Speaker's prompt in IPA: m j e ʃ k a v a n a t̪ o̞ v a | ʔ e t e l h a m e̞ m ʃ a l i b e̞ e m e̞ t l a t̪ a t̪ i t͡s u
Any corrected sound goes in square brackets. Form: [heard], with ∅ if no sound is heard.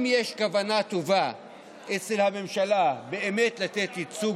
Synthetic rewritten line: m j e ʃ k a v a n a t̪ o̞ v a | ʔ e [t͡s] e l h a m e̞ m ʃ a l [a] b e̞ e m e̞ t l a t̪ [e] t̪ i t͡s u